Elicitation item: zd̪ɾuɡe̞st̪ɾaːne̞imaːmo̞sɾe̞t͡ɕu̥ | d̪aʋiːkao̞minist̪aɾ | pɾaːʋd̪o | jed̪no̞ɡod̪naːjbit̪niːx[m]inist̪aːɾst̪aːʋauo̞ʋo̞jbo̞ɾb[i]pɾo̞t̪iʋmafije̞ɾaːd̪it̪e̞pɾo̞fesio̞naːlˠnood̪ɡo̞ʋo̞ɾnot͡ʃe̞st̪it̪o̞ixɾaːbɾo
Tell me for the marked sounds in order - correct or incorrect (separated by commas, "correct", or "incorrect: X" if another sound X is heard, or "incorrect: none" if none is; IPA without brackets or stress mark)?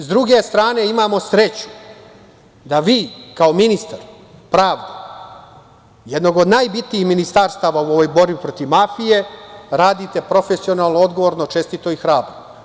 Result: correct, correct